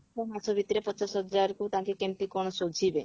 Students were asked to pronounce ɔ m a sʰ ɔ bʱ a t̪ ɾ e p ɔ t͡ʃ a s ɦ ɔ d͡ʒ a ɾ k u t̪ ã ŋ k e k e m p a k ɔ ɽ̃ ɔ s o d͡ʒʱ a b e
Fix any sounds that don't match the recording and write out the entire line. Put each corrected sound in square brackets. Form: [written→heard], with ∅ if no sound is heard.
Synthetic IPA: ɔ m a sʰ ɔ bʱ [a→i] t̪ ɾ e p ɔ t͡ʃ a s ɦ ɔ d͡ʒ a ɾ k u t̪ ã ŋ k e k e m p [a→i] k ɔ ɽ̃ ɔ s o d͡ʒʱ [a→i] b e